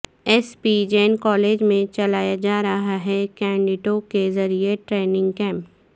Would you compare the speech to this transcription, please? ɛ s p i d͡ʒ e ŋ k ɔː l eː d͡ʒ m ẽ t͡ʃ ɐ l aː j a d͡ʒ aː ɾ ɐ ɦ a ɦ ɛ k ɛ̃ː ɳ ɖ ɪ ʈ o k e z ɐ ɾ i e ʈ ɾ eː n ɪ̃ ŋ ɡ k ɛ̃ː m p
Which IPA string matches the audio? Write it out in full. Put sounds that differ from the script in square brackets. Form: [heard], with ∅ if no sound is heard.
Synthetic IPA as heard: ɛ s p i d͡ʒ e [n] k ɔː l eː d͡ʒ m ẽ t͡ʃ ɐ l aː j a d͡ʒ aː ɾ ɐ ɦ a ɦ ɛ k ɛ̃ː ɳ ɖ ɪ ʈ o k e z ɐ ɾ i e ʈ ɾ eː n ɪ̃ ŋ ɡ k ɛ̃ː m p